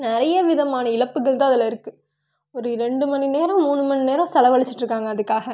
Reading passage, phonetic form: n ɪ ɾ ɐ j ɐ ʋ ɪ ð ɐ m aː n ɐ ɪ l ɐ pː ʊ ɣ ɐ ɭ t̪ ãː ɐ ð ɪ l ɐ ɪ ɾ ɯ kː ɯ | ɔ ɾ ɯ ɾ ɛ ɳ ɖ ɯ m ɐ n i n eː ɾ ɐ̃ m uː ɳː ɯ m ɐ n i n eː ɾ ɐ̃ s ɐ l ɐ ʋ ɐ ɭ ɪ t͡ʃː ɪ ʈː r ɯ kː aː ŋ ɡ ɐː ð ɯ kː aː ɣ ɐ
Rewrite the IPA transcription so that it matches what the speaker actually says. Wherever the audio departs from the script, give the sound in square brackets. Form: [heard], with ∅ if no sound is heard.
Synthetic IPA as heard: n ɪ ɾ ɐ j ɐ ʋ ɪ ð ɐ m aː n ɐ ɪ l ɐ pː [ɯ] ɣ ɐ ɭ t̪ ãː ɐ ð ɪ l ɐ ɪ ɾ ɯ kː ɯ | ɔ ɾ ɯ ɾ ɛ ɳ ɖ ɯ m ɐ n i n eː ɾ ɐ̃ m uː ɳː ɯ m ɐ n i n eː ɾ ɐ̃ s ɐ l ɐ ʋ ɐ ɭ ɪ t͡ʃː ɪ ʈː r ɯ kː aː ŋ ɡ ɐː ð ɯ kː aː ɣ ɐ